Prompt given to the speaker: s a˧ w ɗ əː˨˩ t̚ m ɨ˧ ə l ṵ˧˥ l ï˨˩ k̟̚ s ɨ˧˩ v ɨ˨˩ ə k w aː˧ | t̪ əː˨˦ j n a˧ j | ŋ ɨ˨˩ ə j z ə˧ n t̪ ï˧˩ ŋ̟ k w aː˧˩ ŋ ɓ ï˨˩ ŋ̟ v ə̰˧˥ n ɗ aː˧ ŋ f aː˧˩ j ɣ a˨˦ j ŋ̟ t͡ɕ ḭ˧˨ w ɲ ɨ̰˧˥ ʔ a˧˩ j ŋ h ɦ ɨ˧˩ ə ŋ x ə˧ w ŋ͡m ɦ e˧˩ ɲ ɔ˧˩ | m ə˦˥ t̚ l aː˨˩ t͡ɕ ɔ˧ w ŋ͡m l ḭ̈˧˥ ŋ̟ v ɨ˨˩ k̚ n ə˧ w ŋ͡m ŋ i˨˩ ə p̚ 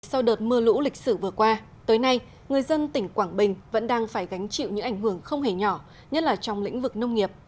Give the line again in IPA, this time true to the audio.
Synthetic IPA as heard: s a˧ w ɗ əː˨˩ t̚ m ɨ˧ ə l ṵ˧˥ l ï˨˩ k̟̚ s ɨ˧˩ v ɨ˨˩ ə k w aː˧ | t̪ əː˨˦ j n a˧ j | ŋ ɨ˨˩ ə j z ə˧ n t̪ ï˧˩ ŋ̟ k w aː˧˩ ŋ ɓ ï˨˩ ŋ̟ v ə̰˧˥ n ɗ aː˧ ŋ f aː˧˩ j ɣ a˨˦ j ŋ̟ t͡ɕ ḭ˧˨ w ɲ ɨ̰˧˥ ʔ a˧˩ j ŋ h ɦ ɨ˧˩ ə ŋ x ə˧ w ŋ͡m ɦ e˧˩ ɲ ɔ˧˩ | ɲ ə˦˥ t̚ l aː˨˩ t͡ɕ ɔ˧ w ŋ͡m l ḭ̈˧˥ ŋ̟ v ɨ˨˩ k̚ n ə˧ w ŋ͡m ŋ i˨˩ ə p̚

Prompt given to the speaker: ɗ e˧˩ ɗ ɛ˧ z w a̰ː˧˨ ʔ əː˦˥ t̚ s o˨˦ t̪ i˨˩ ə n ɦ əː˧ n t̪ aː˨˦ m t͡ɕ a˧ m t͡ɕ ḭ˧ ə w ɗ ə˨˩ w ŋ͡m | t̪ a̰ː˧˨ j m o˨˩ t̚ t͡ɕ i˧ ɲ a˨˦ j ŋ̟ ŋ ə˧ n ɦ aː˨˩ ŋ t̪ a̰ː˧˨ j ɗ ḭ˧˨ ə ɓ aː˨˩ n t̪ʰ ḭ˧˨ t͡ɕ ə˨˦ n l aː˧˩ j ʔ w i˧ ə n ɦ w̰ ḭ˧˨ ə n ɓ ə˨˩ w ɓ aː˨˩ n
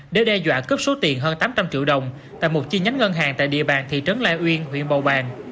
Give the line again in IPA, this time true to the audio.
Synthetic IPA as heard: ɗ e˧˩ ɗ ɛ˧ z w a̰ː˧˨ k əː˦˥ p̚ s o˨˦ t̪ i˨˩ ə n ɦ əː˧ n t̪ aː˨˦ m t͡ɕ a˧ m t͡ɕ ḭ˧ ə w ɗ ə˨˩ w ŋ͡m | t̪ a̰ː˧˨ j m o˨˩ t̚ t͡ɕ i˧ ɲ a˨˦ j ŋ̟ ŋ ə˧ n ɦ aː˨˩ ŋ t̪ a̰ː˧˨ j ɗ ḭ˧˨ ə ɓ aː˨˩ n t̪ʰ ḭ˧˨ t͡ɕ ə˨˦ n l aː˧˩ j ʔ w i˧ ə n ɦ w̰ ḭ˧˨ ə n ɓ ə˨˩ w ɓ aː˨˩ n

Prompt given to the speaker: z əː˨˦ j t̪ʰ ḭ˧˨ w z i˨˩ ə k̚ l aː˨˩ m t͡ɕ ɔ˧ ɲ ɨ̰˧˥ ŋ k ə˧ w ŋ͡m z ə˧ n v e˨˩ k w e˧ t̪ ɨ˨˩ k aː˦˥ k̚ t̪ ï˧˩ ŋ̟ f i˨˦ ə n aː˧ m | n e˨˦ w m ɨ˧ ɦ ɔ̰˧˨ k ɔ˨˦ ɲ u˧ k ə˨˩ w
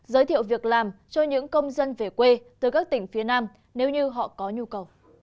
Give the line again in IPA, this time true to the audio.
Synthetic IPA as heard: z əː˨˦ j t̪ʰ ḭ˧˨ w v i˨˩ ə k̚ l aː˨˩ m t͡ɕ ɔ˧ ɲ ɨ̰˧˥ ŋ k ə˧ w ŋ͡m z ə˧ n v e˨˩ k w e˧ t̪ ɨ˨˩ k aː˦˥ k̚ t̪ ï˧˩ ŋ̟ f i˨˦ ə n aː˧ m | n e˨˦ w ɲ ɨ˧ ɦ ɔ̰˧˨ k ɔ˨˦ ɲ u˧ k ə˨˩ w

